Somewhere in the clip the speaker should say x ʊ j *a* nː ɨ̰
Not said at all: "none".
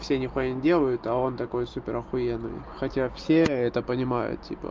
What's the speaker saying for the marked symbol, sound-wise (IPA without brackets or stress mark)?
e